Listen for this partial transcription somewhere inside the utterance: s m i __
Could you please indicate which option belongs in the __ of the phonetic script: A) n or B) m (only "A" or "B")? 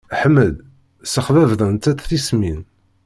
A